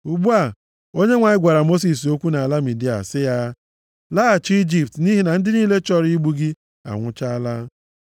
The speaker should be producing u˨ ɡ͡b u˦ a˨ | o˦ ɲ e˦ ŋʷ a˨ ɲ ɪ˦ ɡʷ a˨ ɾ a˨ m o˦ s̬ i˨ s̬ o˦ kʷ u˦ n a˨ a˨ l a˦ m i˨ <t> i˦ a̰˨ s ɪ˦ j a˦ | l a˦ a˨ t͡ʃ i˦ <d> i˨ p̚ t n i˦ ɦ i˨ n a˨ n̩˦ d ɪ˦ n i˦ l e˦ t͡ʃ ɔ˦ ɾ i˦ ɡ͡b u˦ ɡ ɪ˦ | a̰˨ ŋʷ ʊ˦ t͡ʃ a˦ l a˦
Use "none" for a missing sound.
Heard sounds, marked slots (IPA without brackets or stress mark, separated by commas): d, d͡ʒ